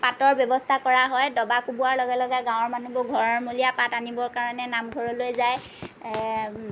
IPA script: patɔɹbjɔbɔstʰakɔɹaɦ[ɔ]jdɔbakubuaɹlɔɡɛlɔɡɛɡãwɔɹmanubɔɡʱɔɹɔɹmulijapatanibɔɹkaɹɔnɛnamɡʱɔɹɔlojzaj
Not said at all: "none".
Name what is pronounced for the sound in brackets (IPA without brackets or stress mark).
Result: ɔ